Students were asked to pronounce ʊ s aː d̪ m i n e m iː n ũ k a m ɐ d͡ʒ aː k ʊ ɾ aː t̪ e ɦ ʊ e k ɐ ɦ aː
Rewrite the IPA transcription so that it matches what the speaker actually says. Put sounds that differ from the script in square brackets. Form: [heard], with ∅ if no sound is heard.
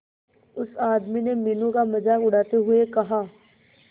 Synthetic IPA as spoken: ʊ s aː d̪ m i n e m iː n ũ k a m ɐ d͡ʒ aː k ʊ [ɽ] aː t̪ e ɦ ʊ e k ɐ ɦ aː